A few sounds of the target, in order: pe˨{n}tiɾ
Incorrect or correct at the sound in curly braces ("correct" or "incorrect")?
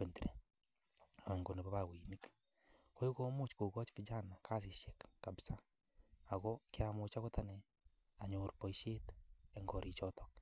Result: correct